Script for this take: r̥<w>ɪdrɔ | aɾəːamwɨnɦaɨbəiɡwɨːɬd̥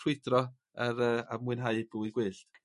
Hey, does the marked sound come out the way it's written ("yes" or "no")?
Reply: yes